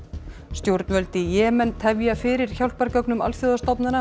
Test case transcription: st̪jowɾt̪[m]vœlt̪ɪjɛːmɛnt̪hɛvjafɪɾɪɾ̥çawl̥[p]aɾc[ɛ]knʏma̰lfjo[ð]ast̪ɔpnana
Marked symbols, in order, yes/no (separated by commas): no, yes, no, yes